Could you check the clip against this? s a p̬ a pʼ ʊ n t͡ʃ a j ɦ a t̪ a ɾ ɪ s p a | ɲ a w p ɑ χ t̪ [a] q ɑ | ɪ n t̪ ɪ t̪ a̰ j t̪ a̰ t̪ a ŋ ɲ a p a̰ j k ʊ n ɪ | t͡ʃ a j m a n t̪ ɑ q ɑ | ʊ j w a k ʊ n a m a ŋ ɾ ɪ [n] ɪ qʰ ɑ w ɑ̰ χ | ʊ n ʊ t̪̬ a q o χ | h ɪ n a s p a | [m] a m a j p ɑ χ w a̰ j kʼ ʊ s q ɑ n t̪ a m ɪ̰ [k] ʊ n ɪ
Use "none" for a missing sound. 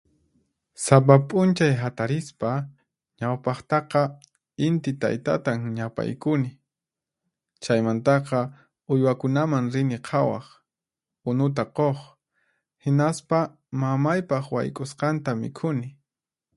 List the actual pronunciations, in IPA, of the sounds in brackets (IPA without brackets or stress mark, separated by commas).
ɑ, n, m, kʰ